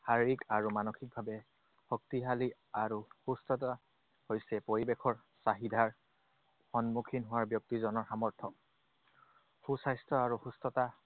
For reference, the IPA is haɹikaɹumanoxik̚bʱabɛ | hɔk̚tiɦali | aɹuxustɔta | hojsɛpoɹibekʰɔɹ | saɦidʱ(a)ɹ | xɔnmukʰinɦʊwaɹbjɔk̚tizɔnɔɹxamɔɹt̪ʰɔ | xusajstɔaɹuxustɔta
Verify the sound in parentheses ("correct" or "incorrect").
correct